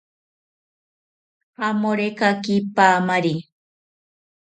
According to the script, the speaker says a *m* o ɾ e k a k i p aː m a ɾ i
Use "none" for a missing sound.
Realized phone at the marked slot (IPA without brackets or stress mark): m